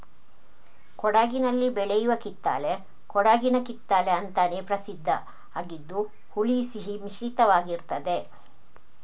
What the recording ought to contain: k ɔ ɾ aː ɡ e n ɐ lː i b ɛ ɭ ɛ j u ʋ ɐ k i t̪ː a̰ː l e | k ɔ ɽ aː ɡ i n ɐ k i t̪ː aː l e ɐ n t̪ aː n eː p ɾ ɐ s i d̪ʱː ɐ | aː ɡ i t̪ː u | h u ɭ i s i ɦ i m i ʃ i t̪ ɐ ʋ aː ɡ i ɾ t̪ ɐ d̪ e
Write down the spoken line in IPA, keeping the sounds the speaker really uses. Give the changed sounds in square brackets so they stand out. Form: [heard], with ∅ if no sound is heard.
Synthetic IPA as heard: k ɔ [ɽ] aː ɡ [i] n ɐ lː i b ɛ ɭ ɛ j u ʋ ɐ k i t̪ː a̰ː l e | k ɔ ɽ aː ɡ i n ɐ k i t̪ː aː l e ɐ n t̪ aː n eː p ɾ ɐ s i d̪ʱː ɐ | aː ɡ i [d̪ː] u | h u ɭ i s i ɦ i m i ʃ i t̪ ɐ ʋ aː ɡ i ɾ t̪ ɐ d̪ e